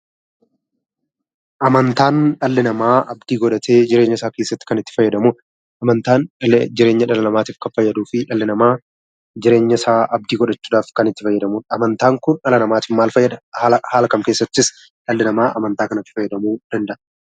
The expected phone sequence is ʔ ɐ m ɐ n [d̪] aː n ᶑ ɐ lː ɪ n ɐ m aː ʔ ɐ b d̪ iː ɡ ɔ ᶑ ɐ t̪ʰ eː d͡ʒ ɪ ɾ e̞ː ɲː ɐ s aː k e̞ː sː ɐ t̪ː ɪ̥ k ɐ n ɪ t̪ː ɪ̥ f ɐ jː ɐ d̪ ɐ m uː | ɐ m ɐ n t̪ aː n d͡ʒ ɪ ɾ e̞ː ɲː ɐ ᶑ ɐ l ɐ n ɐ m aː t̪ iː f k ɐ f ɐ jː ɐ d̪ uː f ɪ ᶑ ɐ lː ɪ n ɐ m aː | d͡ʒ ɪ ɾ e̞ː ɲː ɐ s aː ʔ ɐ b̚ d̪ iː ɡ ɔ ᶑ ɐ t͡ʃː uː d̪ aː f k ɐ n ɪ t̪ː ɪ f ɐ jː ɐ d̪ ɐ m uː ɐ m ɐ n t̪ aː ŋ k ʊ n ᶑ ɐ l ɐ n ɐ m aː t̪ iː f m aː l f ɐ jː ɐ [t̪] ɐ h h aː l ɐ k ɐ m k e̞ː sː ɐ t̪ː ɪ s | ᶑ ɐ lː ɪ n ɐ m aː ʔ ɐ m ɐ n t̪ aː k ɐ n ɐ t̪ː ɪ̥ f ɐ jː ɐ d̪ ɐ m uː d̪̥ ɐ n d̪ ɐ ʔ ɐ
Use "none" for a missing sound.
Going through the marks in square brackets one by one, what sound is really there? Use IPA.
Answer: t̪, d̪

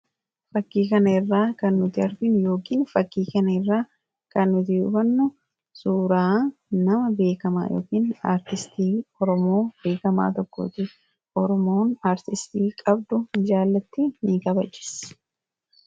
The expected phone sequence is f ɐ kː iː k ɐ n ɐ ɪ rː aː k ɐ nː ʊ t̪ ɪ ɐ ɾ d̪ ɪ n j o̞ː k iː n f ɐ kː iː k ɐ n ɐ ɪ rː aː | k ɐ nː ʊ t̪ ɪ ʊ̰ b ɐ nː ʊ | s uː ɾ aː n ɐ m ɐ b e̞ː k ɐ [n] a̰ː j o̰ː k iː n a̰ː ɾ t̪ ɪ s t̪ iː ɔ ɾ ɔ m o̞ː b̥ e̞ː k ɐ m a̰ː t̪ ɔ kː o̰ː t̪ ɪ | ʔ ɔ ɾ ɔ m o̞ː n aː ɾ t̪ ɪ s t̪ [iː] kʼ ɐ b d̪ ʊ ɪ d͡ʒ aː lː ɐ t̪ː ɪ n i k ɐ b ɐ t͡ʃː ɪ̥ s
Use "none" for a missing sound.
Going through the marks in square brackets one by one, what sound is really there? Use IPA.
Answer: m, iː

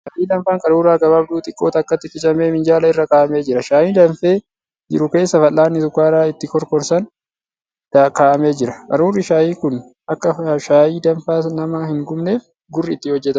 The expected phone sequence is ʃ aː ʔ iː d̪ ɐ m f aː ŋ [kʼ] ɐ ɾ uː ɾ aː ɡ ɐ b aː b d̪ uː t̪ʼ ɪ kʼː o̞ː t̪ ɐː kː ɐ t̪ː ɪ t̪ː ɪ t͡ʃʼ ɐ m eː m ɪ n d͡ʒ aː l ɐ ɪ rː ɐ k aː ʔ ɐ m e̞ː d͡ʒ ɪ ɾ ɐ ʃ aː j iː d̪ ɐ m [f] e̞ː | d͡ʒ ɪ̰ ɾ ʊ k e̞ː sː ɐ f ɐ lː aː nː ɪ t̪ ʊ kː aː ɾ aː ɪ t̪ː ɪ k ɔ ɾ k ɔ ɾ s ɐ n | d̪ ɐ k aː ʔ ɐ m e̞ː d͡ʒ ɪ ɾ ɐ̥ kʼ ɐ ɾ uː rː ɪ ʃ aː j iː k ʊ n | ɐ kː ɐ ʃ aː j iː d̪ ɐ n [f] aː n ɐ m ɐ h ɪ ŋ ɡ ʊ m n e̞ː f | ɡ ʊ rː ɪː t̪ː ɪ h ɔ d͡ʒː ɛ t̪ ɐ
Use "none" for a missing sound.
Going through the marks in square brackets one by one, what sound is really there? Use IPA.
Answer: kʼ, f, f

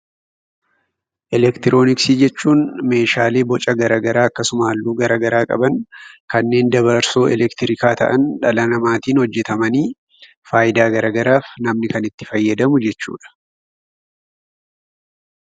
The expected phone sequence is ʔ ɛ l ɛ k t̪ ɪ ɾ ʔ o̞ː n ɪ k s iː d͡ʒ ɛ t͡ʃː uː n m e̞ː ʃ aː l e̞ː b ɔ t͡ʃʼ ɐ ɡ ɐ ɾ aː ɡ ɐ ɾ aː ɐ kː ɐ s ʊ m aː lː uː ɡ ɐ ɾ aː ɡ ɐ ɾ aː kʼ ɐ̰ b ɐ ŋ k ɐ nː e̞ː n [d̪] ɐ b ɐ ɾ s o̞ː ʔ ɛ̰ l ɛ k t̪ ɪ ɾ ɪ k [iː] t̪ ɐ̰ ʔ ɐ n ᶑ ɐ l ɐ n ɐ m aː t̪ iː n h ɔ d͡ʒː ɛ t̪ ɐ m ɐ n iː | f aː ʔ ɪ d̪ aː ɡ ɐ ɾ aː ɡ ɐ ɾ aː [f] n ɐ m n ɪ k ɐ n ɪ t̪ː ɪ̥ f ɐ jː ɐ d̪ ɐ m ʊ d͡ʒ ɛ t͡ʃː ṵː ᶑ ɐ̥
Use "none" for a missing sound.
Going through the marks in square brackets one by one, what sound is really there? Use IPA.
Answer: d̪, aː, f

